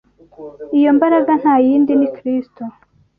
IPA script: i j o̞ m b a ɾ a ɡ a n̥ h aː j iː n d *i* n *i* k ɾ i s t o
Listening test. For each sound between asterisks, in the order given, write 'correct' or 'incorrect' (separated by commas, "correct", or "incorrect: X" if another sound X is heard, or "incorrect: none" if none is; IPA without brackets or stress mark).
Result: correct, correct